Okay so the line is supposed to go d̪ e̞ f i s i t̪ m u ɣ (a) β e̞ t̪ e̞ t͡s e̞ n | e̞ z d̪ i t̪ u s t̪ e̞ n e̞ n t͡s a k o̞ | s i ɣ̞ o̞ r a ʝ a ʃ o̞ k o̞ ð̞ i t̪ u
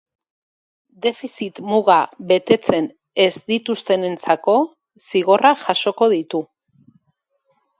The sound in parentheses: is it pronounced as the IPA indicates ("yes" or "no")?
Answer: yes